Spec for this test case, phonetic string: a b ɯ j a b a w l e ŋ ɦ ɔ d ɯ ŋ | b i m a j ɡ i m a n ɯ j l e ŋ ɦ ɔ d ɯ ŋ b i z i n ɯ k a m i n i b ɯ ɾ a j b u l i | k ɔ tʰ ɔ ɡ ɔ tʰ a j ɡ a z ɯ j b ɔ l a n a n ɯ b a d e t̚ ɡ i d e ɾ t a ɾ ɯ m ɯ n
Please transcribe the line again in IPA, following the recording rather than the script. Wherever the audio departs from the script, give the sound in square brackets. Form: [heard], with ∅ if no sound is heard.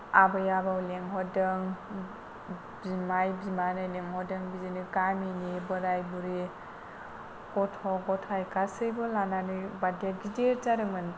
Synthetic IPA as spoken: a b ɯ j a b a w l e ŋ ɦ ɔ d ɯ ŋ | b i m a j [b] i m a n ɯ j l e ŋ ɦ ɔ d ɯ ŋ b i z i n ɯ k a m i n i b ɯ ɾ a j b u [ɾ] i | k ɔ tʰ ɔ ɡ ɔ tʰ a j [k] a [s] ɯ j b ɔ l a n a n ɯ b a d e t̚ ɡ i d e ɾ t a ɾ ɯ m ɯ n

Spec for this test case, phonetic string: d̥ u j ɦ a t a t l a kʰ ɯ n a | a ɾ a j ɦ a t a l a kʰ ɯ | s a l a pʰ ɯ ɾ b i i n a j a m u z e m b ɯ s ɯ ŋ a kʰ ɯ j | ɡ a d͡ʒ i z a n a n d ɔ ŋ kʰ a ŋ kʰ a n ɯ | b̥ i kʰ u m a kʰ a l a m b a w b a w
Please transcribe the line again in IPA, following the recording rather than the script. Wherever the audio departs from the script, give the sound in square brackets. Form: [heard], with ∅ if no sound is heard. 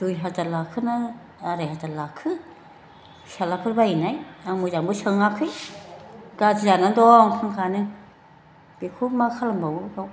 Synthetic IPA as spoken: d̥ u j ɦ a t a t l a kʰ ɯ n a | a ɾ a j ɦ a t a l a kʰ ɯ | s a l a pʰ ɯ ɾ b [a] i n a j a m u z [a] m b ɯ s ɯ ŋ a kʰ ɯ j | ɡ a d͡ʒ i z a n a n d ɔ ŋ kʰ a ŋ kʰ a n ɯ | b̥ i kʰ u m a kʰ a l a m b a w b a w

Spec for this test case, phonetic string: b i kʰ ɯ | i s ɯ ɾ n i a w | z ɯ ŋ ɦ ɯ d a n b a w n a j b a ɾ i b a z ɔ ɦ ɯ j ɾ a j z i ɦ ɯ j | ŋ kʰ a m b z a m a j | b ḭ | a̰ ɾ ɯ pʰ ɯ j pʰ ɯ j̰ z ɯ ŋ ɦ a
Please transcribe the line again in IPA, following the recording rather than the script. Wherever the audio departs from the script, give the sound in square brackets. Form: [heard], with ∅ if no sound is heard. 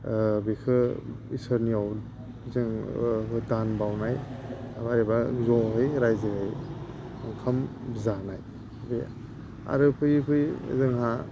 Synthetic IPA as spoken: b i kʰ ɯ | i s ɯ ɾ n i a w | z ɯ ŋ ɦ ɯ d a n b a w n a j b a ɾ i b a z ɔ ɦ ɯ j ɾ a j z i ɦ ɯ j | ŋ kʰ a m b z a [n] a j | b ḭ | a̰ ɾ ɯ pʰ ɯ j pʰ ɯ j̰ z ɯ ŋ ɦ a

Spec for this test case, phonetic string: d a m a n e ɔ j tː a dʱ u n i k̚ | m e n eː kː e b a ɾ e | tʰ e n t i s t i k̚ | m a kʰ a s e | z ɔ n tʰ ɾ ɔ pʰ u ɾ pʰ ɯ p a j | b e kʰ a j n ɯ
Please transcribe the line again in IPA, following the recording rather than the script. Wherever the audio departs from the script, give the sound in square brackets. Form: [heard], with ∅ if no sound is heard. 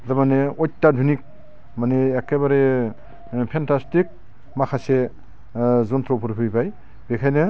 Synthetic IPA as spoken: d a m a n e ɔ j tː a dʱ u n i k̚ | m [a] n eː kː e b a ɾ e | [pʰ] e n t [a] s t i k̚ | m a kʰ a s e | z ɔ n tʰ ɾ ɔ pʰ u ɾ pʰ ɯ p a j | b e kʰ a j n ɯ

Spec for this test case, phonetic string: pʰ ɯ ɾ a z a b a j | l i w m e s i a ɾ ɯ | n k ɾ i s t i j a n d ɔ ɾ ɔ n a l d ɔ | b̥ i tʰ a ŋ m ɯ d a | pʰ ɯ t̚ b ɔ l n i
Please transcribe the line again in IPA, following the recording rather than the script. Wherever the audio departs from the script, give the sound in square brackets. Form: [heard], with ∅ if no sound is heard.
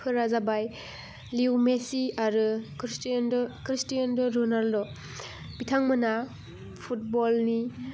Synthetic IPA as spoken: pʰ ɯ ɾ a z a b a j | l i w m e s i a ɾ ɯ | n k ɾ i s t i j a n d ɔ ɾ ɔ n a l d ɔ | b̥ i tʰ a ŋ m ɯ [n] a | pʰ [u] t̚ b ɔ l n i

